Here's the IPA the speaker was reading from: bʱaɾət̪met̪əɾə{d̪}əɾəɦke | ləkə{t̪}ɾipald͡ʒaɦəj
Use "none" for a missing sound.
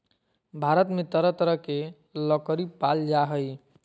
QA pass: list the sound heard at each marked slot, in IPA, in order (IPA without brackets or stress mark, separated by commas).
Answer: t̪, none